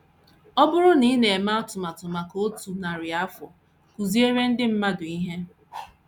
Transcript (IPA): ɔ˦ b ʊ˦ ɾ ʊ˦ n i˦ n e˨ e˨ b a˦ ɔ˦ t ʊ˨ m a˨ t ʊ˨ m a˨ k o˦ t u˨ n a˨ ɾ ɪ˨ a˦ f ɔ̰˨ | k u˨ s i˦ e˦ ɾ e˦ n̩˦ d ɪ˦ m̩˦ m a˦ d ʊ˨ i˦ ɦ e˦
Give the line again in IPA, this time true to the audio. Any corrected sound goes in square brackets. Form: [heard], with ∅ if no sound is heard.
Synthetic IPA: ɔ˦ b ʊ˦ ɾ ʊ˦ n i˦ n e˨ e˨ [m] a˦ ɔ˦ t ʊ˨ m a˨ t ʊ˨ m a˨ k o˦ t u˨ n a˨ ɾ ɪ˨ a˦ f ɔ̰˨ | k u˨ [z] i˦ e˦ ɾ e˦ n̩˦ d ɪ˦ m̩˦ m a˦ d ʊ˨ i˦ ɦ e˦